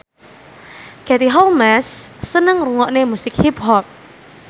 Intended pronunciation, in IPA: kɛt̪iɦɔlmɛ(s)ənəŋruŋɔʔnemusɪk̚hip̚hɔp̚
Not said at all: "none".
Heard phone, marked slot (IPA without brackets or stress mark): sː